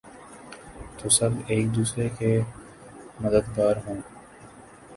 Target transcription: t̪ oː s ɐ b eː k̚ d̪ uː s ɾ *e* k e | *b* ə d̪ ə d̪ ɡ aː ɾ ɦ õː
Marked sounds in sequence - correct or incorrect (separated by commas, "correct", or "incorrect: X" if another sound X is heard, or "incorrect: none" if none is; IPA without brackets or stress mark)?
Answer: correct, incorrect: m